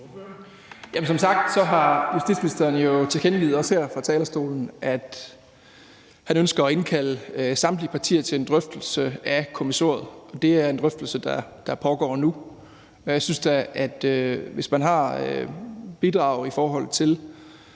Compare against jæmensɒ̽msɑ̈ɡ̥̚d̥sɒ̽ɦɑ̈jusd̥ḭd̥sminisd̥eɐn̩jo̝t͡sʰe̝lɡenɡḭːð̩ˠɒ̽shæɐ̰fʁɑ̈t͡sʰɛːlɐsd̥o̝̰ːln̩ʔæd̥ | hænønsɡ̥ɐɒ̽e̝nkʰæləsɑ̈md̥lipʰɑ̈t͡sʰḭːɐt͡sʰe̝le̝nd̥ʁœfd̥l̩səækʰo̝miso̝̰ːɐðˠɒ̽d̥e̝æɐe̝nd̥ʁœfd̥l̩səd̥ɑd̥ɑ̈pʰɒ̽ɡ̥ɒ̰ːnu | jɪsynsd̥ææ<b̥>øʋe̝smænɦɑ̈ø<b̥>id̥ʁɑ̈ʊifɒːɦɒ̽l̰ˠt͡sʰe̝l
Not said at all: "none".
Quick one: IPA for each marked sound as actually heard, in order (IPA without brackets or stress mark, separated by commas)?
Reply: d̥, b̥